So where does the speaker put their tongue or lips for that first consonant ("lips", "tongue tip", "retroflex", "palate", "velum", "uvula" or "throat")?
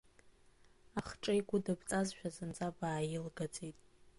uvula